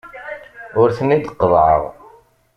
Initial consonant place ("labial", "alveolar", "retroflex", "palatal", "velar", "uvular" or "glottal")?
alveolar